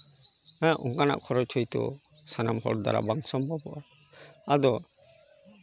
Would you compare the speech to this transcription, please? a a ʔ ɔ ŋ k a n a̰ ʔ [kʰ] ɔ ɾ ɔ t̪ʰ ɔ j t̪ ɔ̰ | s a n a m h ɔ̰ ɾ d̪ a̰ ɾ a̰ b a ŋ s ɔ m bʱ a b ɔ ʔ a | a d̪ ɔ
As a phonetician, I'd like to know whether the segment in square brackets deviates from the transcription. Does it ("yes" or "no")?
no